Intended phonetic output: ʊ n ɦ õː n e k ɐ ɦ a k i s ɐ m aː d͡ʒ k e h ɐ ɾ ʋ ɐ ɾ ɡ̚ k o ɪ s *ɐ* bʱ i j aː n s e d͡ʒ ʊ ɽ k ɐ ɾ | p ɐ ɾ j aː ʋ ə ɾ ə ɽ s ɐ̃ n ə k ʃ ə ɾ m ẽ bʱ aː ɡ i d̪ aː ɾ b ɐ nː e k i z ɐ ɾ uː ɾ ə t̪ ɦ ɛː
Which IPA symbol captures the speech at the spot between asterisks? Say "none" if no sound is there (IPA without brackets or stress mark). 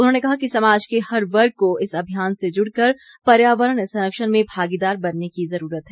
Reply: ɐ